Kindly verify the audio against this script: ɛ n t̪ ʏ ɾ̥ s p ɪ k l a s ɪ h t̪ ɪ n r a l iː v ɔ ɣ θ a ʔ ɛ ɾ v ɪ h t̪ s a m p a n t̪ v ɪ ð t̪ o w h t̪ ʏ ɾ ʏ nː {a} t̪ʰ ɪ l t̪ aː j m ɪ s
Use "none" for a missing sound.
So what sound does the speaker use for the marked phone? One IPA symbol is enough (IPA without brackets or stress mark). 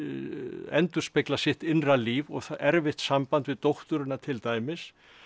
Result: a